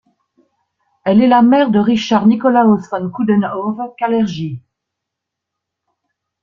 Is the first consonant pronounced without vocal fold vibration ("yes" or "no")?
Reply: no